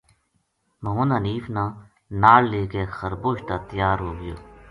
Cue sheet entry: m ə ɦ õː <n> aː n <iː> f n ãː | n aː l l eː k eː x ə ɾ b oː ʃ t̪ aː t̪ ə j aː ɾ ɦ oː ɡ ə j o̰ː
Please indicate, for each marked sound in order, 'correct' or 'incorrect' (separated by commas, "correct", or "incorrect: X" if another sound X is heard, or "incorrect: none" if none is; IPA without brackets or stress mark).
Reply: correct, correct